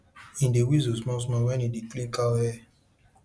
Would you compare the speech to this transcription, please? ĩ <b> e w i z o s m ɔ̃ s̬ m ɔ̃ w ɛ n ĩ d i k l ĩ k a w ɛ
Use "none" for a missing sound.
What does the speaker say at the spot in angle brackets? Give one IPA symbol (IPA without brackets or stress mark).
d